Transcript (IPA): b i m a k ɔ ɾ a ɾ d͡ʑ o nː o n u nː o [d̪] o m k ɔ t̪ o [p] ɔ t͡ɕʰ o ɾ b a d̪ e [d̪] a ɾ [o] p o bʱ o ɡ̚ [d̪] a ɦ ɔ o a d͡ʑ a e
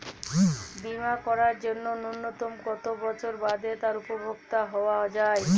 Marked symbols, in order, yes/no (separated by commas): no, no, no, no, no